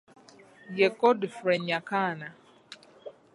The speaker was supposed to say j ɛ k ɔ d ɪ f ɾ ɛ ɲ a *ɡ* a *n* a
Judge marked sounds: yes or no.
no, yes

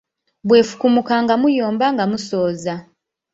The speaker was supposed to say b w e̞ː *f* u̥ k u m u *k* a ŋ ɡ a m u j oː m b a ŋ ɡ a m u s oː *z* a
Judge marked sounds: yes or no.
yes, yes, yes

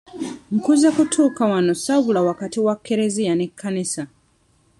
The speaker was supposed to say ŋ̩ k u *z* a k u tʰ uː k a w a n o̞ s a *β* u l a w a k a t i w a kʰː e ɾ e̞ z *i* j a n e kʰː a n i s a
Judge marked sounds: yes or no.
yes, yes, yes

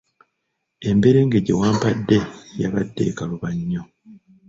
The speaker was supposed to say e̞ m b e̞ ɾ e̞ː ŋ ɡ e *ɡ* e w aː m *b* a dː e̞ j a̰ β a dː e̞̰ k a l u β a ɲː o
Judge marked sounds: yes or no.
no, no

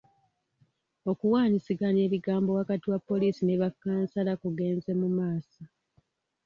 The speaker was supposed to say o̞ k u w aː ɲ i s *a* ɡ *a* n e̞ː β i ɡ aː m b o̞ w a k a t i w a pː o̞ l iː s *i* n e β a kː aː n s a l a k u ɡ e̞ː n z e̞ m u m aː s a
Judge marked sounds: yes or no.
no, yes, yes

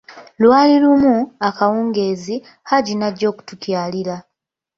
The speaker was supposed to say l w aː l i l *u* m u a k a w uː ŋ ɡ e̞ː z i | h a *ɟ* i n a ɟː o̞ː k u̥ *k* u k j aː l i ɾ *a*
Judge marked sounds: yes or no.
yes, yes, no, yes

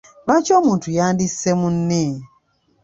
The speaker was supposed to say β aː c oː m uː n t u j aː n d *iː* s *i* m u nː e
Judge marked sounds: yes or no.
no, no

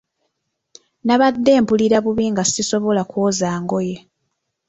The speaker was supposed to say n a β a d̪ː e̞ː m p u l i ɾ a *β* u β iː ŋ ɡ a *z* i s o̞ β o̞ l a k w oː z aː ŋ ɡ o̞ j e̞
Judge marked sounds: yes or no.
yes, no

